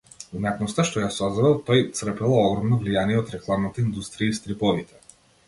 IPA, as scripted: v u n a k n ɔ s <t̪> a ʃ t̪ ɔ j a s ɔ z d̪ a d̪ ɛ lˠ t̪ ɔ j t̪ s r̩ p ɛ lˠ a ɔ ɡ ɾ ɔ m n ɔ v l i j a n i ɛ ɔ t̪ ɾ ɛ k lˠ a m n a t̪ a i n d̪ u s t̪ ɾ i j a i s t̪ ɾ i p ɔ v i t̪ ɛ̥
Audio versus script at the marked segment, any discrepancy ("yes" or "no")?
no